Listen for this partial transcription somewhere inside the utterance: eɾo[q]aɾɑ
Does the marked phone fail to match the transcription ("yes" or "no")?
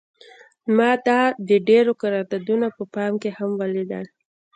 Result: yes